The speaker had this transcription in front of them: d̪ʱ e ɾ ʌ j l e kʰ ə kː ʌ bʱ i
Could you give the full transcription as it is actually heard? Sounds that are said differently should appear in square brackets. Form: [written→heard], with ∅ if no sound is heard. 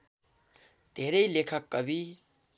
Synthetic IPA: d̪ʱ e ɾ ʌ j l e kʰ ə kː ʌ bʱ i